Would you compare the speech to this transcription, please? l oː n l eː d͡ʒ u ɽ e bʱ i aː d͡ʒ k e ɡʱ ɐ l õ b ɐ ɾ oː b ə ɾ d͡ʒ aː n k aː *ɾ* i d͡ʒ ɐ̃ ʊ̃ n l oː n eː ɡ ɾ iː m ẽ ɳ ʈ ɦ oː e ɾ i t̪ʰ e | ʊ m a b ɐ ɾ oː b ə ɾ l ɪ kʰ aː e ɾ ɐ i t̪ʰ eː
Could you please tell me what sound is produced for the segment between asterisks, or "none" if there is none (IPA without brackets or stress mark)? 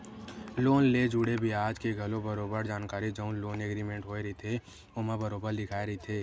ɾ